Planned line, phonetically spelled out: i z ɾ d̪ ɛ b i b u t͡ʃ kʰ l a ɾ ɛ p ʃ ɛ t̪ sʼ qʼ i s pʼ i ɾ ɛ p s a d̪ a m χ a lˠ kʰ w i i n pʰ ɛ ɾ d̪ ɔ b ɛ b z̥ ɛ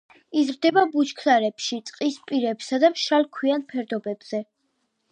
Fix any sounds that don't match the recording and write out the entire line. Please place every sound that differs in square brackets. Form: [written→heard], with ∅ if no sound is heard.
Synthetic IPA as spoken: i z ɾ d̪ ɛ b [i→a] b u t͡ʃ kʰ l a ɾ ɛ p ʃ [ɛ→i] t̪ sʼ qʼ i s pʼ i ɾ ɛ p s a d̪ a m [χ→ʃ] a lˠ kʰ w i [i→a] n pʰ ɛ ɾ d̪ ɔ b ɛ b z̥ ɛ